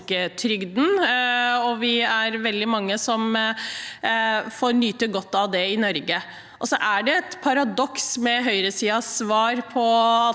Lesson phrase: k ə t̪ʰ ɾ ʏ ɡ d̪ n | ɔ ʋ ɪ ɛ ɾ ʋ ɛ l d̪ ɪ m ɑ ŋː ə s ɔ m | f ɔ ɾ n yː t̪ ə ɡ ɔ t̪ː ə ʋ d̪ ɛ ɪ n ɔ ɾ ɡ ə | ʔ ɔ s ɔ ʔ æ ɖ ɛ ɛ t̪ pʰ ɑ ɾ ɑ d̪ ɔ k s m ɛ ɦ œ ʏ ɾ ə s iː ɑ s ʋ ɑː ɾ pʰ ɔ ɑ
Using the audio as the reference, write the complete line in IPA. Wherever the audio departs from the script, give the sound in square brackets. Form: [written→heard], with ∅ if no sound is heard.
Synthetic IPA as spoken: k ə t̪ʰ ɾ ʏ ɡ d̪ n | ɔ ʋ ɪ [ɛ→æ] ɾ ʋ ɛ l d̪ ɪ m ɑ ŋː ə s ɔ m | f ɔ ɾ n yː t̪ ə ɡ ɔ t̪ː [ə→ɑ] ʋ d̪ ɛ ɪ n ɔ ɾ ɡ ə | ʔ ɔ s ɔ ʔ æ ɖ ɛ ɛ t̪ pʰ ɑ ɾ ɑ d̪ ɔ k s m ɛ ɦ œ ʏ ɾ ə s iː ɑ s ʋ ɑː ɾ pʰ ɔ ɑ

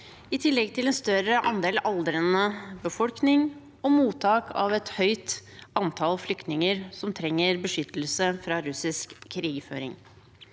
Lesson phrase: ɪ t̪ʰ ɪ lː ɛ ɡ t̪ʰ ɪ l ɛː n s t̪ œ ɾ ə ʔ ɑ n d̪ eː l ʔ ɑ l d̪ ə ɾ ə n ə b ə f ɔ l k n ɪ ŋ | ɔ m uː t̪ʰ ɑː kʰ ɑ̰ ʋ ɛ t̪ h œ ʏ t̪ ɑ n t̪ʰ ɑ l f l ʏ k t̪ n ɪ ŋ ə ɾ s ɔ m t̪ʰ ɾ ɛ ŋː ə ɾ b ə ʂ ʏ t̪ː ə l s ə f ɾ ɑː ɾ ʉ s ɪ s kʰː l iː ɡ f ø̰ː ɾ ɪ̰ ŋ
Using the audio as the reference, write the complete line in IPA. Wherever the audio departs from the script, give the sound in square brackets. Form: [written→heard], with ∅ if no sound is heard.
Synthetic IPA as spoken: ɪ t̪ʰ ɪ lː ɛ ɡ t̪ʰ ɪ l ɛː n s t̪ œ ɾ ə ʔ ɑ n d̪ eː l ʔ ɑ l d̪ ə ɾ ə n ə b ə f ɔ l k n ɪ ŋ | ɔ m uː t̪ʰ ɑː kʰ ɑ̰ ʋ ɛ t̪ h œ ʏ t̪ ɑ n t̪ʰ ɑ l f l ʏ k t̪ n ɪ ŋ ə ɾ s ɔ m t̪ʰ ɾ ɛ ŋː ə ɾ b ə ʂ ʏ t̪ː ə l s ə f ɾ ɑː ɾ ʉ s ɪ s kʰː [l→ɾ] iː ɡ f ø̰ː ɾ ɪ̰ ŋ

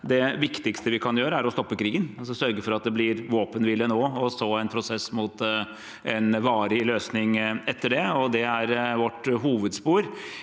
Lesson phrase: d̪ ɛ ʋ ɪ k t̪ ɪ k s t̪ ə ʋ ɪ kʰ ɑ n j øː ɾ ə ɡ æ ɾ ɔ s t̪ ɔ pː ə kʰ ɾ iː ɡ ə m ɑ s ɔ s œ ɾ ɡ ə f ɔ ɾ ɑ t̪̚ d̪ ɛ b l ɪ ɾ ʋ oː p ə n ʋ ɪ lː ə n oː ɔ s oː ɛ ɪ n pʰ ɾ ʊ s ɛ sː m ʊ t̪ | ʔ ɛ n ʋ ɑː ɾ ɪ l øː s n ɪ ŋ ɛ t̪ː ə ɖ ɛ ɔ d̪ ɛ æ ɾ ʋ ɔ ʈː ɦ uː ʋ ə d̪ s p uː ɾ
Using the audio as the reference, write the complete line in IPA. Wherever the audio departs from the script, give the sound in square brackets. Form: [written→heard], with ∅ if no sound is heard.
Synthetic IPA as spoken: d̪ ɛ ʋ ɪ k t̪ ɪ k s t̪ ə ʋ ɪ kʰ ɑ n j øː ɾ ə [ɡ→∅] æ ɾ ɔ s t̪ ɔ pː ə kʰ ɾ iː ɡ ə [m→n] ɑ s ɔ s œ ɾ ɡ ə f ɔ ɾ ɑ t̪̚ d̪ ɛ b l ɪ ɾ ʋ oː p ə n ʋ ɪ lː ə n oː ɔ s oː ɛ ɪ n pʰ ɾ ʊ s ɛ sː m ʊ t̪ | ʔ ɛ n ʋ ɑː ɾ ɪ l øː s n ɪ ŋ ɛ t̪ː ə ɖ ɛ ɔ d̪ ɛ æ ɾ ʋ ɔ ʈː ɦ uː ʋ ə d̪ s p uː ɾ

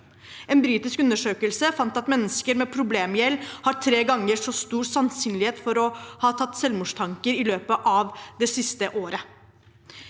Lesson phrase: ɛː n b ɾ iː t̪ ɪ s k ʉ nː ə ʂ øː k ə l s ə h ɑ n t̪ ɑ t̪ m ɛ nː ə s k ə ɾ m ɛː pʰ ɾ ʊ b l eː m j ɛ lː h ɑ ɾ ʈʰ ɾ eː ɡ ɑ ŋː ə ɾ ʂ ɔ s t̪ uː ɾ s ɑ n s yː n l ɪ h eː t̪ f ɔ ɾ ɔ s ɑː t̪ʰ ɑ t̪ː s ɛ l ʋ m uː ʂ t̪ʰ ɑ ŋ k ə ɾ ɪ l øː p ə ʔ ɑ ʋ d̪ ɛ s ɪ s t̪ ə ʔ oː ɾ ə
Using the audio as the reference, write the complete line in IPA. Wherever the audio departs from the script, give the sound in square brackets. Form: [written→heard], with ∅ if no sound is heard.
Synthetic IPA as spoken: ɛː n b ɾ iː t̪ ɪ s k ʉ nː ə ʂ øː k ə l s ə [h→f] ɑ n t̪ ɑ t̪ m ɛ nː ə s k ə ɾ m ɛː pʰ ɾ ʊ b l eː m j ɛ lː h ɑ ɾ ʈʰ ɾ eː ɡ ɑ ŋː ə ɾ ʂ ɔ s t̪ uː ɾ s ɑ n s yː n l ɪ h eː t̪ f ɔ ɾ ɔ [s→h] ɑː t̪ʰ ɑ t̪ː s ɛ l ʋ m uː ʂ t̪ʰ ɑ ŋ k ə ɾ ɪ l øː p ə ʔ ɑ ʋ d̪ ɛ s ɪ s t̪ ə ʔ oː ɾ ə

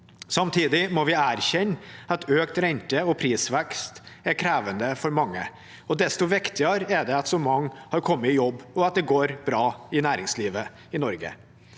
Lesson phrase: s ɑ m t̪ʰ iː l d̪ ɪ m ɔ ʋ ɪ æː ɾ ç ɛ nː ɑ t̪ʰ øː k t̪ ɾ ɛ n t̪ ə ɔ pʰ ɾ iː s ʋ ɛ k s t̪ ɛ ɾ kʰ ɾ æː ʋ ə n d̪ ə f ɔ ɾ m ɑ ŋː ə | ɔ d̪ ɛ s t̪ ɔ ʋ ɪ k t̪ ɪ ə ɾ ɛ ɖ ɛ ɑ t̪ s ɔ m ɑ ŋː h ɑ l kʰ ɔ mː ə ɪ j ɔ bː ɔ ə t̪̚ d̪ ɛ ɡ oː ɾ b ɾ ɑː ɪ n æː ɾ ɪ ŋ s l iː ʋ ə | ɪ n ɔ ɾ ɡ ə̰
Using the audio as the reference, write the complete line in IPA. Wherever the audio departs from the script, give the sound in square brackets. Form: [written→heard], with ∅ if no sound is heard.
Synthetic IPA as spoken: s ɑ m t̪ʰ iː [l→∅] d̪ ɪ m ɔ ʋ ɪ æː ɾ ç ɛ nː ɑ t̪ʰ øː k t̪ ɾ ɛ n t̪ ə ɔ pʰ ɾ iː s ʋ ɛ k s t̪ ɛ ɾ kʰ ɾ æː ʋ ə n d̪ ə f ɔ ɾ m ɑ ŋː ə | ɔ d̪ ɛ s t̪ ɔ ʋ ɪ k t̪ ɪ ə ɾ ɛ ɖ ɛ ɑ t̪ s ɔ m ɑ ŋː h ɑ [l→ɾ] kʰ ɔ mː ə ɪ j ɔ bː ɔ [ə→ɑ] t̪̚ d̪ ɛ ɡ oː ɾ b ɾ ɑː ɪ n æː ɾ ɪ ŋ s l iː ʋ ə | ɪ n ɔ ɾ ɡ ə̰

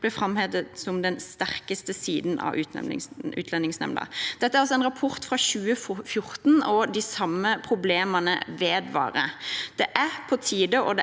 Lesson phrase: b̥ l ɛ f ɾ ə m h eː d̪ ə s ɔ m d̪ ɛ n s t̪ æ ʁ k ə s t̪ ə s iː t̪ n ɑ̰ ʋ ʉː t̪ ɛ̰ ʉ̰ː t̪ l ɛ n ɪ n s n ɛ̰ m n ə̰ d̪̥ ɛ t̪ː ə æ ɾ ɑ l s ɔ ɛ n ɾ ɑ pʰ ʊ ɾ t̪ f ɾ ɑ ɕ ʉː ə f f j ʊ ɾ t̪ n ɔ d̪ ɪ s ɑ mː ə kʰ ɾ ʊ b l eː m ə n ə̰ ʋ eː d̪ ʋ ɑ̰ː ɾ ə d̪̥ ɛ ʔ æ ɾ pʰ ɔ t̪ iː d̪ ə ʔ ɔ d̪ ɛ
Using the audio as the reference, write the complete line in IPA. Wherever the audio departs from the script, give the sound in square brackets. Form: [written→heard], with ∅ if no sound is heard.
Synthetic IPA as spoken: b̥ l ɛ f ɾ [ə→ɑ] m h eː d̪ ə s ɔ m d̪ ɛ n s t̪ æ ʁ k ə s t̪ ə s iː [t̪→d̪] n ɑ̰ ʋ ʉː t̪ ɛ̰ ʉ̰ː t̪ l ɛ n ɪ [n→ŋ] s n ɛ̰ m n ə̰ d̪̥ ɛ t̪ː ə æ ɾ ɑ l s ɔ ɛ n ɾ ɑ pʰ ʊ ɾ t̪ f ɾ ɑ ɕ ʉː ə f f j ʊ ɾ t̪ n ɔ d̪ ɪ s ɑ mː ə [kʰ→pʰ] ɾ ʊ b l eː m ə n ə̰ ʋ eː d̪ ʋ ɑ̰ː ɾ ə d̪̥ ɛ ʔ æ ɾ pʰ ɔ [t̪→t̪ʰ] iː d̪ ə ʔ ɔ d̪ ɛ

